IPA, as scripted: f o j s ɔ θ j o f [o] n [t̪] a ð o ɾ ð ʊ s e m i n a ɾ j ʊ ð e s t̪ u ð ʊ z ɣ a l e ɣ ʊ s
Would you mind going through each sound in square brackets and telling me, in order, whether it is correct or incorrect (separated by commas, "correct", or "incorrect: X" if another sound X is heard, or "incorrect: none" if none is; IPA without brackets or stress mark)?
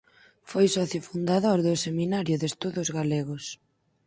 incorrect: u, incorrect: d̪